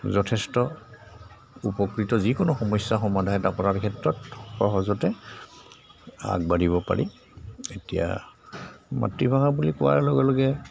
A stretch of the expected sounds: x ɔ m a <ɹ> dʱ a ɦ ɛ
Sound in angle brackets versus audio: incorrect: none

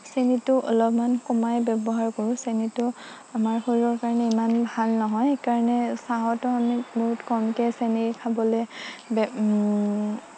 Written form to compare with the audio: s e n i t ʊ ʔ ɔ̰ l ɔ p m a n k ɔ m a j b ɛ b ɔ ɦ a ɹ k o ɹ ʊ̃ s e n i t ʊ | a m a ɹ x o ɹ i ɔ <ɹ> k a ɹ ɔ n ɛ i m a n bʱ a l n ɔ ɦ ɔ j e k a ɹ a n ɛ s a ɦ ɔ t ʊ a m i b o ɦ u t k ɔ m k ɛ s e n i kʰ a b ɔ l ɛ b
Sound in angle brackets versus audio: correct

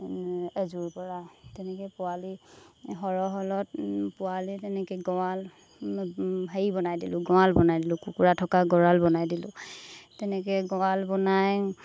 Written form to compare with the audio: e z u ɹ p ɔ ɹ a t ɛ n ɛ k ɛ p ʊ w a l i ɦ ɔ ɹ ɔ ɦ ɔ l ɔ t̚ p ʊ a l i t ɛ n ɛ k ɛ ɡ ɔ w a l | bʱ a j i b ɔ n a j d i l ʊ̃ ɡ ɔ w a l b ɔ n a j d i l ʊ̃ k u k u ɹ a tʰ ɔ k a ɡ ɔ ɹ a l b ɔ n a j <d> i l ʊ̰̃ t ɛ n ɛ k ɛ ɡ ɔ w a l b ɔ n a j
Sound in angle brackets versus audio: correct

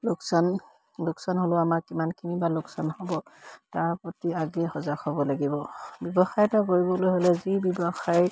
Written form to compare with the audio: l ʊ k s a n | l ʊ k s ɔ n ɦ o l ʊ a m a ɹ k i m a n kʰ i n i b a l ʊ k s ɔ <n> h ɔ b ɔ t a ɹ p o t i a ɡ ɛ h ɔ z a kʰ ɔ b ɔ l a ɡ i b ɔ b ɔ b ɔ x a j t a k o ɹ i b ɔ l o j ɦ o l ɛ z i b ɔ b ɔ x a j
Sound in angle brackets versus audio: correct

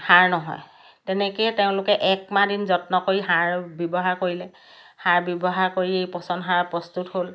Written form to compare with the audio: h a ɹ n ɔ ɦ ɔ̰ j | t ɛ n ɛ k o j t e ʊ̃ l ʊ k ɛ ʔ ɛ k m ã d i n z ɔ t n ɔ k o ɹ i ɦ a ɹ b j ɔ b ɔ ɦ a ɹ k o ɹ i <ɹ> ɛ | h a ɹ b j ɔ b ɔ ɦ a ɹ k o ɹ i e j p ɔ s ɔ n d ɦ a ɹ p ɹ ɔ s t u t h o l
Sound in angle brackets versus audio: incorrect: l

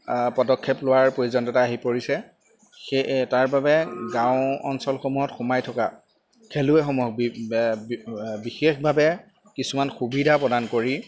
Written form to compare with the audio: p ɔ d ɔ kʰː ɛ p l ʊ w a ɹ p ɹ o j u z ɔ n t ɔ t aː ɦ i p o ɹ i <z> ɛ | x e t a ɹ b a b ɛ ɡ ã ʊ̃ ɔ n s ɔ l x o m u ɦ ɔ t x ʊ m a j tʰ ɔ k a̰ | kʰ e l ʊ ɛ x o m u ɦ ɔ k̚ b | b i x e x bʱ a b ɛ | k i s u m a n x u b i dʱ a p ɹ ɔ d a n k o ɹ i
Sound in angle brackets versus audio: incorrect: s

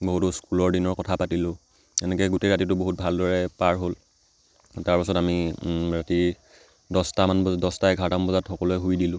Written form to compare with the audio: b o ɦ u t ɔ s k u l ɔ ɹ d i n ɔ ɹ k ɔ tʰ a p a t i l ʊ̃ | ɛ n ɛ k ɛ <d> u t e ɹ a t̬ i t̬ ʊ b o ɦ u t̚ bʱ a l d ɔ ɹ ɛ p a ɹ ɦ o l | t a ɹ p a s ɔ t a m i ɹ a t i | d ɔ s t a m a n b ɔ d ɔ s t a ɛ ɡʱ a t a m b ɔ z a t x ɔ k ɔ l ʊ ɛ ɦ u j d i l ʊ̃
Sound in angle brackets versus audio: incorrect: ɡ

